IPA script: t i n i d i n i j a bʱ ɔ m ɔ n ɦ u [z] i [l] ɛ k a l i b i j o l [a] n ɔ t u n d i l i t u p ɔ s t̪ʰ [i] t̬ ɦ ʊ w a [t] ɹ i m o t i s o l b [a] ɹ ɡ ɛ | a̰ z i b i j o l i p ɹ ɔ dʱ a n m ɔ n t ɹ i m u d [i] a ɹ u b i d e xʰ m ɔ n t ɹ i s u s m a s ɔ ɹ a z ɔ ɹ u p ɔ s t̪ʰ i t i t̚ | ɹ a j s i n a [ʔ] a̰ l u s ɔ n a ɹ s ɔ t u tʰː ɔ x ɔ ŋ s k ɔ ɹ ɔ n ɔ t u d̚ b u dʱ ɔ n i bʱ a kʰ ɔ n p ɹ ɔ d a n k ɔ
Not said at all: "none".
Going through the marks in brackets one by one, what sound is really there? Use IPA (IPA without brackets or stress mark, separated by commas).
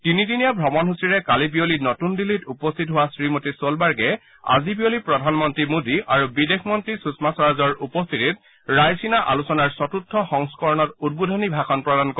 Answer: s, ɹ, i, i, s, a, i, ʔ